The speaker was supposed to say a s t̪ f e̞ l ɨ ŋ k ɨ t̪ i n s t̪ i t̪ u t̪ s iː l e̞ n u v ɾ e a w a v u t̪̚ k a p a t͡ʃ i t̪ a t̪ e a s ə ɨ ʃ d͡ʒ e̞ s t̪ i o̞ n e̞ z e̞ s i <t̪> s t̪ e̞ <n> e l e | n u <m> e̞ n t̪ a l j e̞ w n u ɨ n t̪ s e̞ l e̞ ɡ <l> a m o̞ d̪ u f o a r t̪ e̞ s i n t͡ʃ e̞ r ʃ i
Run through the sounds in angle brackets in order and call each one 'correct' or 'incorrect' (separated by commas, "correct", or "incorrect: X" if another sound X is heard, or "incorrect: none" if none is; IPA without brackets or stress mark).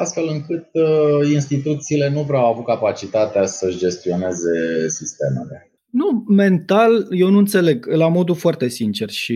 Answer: incorrect: none, incorrect: m, correct, correct